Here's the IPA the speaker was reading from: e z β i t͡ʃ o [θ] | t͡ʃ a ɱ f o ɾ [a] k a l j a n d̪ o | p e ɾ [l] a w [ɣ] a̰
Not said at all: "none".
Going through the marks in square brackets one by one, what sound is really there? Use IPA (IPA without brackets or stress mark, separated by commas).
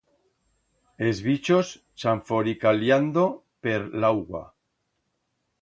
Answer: s, i, l, ɣ